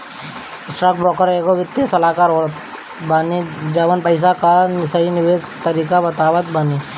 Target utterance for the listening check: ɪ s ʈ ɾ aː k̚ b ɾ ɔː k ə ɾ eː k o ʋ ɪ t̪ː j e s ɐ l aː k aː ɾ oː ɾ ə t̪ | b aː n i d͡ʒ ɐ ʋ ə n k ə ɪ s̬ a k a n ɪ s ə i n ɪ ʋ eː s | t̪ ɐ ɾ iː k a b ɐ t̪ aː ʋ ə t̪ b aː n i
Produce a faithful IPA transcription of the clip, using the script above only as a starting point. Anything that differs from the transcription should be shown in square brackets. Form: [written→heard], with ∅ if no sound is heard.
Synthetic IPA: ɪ s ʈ ɾ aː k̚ b ɾ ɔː k ə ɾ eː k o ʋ ɪ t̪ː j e s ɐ l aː k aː ɾ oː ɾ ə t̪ | b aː n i d͡ʒ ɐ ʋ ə n [k→p] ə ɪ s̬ a k a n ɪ s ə i n ɪ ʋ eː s | t̪ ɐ ɾ iː k a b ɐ t̪ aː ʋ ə t̪ b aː n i